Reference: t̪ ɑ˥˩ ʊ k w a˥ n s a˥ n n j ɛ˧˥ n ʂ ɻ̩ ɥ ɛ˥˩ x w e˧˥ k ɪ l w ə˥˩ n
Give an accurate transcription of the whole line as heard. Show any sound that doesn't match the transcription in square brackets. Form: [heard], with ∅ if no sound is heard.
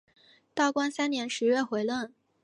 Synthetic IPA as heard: t̪ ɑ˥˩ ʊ k w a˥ n s a˥ n n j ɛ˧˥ n ʂ ɻ̩ ɥ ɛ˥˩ x w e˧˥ [∅] ɪ l w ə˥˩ n